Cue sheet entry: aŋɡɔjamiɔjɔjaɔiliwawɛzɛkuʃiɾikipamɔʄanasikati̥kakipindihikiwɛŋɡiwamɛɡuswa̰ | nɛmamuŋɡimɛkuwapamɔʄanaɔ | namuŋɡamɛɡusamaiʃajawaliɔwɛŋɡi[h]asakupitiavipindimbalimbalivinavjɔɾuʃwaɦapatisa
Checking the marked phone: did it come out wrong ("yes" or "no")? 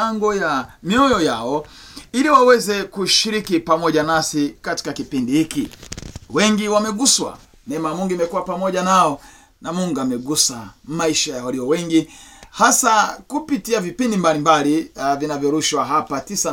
no